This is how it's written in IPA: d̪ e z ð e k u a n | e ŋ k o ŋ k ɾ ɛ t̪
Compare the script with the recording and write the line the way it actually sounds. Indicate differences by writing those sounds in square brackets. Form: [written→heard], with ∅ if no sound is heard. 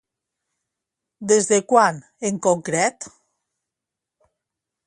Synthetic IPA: d̪ e z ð e k [u→w] a n | e ŋ k o ŋ k ɾ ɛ t̪